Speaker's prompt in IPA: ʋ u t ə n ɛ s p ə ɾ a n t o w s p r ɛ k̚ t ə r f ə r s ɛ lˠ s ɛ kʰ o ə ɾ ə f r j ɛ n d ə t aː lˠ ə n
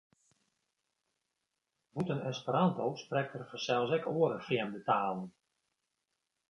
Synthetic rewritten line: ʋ u t ə n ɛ s p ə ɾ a n t o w s p r ɛ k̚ t ə r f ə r s ɛ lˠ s ɛ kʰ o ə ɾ ə f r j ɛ m d ə t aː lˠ ə n